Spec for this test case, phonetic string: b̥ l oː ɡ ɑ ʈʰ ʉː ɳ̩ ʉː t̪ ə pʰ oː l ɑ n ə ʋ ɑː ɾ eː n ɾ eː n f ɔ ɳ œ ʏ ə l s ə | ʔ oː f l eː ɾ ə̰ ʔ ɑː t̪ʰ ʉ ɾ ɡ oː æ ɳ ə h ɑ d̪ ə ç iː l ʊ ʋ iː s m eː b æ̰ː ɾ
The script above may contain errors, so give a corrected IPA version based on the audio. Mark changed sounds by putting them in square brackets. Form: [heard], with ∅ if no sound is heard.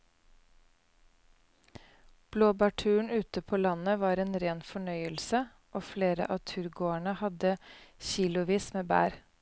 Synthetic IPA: b̥ l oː [b] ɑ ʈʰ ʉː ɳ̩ ʉː t̪ ə pʰ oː l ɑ n ə ʋ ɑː ɾ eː n ɾ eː n f ɔ ɳ œ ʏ ə l s ə | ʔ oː f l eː ɾ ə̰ ʔ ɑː t̪ʰ ʉ ɾ ɡ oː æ ɳ ə h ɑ d̪ ə ç iː l ʊ ʋ iː s m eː b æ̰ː ɾ